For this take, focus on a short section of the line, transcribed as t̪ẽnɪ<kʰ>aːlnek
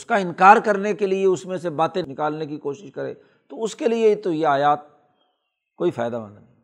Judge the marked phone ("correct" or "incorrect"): incorrect